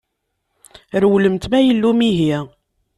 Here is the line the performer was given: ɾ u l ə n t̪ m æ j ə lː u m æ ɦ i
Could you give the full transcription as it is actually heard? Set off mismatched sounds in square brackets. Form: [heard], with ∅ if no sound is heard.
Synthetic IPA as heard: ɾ [w] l ə [m] t̪ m æ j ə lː u m [i] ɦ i